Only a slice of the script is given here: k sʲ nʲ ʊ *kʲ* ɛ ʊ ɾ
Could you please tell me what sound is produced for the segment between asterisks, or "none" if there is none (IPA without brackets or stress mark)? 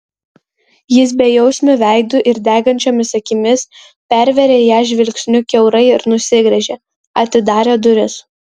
kʲ